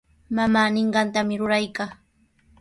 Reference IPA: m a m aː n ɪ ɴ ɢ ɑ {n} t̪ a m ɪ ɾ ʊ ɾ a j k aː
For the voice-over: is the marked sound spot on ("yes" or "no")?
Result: yes